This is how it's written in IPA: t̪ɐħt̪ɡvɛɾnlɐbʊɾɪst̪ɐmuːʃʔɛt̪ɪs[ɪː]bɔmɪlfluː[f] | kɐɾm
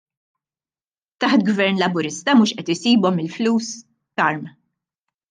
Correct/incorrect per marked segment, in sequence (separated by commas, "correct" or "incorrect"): incorrect, incorrect